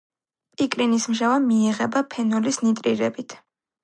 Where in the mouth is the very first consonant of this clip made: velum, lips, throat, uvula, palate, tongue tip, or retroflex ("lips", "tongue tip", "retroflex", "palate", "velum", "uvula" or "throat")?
lips